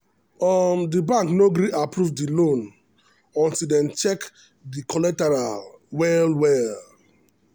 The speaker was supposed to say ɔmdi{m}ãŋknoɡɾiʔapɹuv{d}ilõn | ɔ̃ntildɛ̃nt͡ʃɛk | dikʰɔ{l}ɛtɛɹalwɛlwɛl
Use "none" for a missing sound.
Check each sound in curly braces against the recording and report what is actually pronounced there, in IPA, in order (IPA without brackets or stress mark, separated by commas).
b, d, l